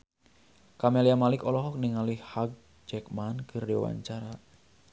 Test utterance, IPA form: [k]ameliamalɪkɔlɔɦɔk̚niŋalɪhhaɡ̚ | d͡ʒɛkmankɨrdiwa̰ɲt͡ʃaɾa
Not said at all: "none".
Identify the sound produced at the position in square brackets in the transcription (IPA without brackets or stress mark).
k